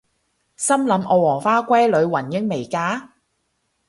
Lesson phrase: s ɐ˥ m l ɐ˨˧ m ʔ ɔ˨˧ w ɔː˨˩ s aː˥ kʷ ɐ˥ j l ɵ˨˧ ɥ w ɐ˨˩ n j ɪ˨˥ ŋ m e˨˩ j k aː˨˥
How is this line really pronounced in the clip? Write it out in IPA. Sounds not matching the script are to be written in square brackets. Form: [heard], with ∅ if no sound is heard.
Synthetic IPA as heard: s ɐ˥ m l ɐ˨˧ m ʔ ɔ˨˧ w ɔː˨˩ [f] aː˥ kʷ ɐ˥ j l ɵ˨˧ ɥ w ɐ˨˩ n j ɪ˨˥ ŋ m e˨˩ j k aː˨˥